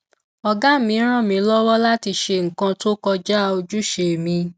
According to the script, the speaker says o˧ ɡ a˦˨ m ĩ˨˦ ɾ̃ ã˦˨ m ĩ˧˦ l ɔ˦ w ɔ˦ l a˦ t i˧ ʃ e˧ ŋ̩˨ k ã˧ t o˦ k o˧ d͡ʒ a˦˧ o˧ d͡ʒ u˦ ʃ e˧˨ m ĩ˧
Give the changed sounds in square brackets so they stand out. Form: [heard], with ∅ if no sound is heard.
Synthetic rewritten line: [ɔ˧] ɡ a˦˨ m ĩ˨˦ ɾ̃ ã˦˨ m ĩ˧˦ l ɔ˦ w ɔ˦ l a˦ t i˧ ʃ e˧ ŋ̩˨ k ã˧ t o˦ k [ɔ˧] d͡ʒ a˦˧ o˧ d͡ʒ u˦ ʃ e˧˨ m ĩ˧